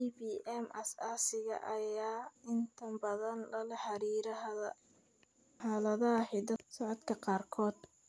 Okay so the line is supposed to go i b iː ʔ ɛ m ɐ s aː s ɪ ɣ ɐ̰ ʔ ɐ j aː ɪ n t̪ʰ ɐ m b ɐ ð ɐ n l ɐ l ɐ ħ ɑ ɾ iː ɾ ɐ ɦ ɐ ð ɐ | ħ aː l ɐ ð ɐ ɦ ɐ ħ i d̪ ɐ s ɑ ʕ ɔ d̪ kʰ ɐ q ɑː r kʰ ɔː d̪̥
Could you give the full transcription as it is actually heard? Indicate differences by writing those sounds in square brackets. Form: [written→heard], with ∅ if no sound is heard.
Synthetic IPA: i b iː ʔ ɛ m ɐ s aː s ɪ ɣ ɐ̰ ʔ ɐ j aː ɪ n t̪ʰ ɐ m b ɐ ð ɐ n l ɐ l ɐ ħ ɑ ɾ iː ɾ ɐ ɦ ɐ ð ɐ | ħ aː l ɐ ð ɐ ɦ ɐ ħ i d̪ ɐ s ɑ ʕ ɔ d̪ kʰ ɐ q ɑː r kʰ ɔː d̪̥